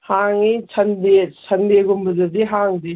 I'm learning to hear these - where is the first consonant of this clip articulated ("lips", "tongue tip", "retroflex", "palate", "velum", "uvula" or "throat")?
throat